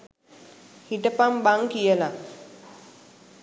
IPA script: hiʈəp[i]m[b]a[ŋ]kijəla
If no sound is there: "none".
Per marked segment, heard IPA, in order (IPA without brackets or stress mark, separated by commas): a, b, ŋ